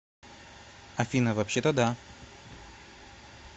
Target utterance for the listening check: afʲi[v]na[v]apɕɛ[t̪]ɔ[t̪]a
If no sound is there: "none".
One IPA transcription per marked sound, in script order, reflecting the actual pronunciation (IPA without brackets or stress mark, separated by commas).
none, v, t̪, d̪